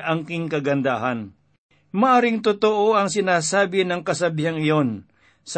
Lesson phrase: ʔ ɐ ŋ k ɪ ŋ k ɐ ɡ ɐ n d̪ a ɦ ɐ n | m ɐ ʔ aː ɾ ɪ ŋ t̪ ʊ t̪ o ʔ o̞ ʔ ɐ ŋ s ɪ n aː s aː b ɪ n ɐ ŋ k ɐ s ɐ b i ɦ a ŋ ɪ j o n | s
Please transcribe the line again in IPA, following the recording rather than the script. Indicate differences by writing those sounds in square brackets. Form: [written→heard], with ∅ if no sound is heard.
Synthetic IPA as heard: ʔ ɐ ŋ k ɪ ŋ k ɐ ɡ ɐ n d̪ a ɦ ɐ n | m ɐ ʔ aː ɾ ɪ ŋ t̪ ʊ t̪ o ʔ o̞ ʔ ɐ ŋ s ɪ n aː s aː b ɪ n ɐ ŋ k ɐ s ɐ b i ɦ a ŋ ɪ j o n | s